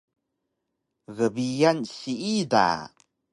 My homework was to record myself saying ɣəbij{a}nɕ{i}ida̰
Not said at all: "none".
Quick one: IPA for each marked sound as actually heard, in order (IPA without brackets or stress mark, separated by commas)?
a, i